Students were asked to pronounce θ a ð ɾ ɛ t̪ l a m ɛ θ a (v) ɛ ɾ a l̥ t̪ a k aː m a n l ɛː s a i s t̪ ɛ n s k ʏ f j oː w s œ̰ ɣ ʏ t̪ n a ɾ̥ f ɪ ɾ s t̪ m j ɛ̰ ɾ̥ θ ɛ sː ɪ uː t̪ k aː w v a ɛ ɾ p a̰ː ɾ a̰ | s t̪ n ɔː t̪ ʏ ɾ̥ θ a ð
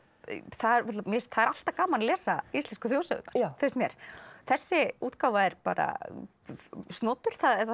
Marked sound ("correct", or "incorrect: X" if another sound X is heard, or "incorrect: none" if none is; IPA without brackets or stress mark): incorrect: ð